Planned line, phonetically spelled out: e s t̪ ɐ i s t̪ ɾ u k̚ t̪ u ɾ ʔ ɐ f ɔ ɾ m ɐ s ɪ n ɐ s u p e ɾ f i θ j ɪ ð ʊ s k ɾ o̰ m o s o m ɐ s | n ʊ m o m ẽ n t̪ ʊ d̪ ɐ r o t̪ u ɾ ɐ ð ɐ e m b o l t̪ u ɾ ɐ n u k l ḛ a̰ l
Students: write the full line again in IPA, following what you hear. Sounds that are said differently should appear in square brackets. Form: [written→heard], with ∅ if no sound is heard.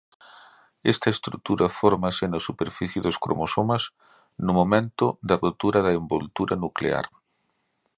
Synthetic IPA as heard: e s t̪ ɐ [i→e] s t̪ ɾ u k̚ t̪ u ɾ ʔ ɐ f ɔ ɾ m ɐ s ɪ n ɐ s u p e ɾ f i θ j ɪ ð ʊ s k ɾ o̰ m o s o m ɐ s | n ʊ m o m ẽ n t̪ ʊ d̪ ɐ r o t̪ u ɾ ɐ ð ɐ e m b o l t̪ u ɾ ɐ n u k l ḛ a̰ [l→ɾ]